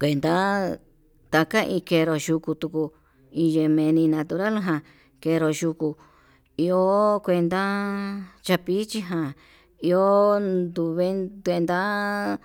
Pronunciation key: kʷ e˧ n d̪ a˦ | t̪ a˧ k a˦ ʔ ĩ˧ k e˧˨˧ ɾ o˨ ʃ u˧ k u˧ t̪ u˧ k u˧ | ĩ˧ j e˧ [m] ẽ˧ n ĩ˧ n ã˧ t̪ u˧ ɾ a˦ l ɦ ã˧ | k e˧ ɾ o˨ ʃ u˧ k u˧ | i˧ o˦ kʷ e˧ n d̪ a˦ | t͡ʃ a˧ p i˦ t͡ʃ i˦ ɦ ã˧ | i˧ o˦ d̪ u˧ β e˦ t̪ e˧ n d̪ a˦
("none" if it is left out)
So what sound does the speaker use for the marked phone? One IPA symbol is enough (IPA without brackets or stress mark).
m